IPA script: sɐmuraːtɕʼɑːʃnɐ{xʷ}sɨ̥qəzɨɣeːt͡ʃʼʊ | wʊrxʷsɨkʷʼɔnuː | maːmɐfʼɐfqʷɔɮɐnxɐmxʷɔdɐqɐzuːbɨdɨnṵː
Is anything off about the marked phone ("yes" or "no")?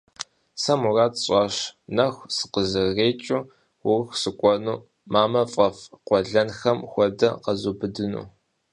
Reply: no